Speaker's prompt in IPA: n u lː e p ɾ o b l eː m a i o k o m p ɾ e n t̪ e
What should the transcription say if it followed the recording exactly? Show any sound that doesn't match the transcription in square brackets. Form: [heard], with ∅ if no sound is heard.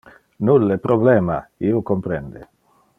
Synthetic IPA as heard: n u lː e p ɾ o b l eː m a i o k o m p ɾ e n [d̪] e